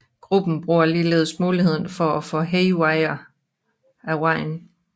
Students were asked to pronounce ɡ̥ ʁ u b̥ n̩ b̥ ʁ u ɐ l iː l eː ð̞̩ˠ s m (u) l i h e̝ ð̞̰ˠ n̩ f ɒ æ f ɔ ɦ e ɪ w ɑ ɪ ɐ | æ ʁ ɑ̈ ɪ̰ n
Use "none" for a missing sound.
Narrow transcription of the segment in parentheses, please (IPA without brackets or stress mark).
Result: uː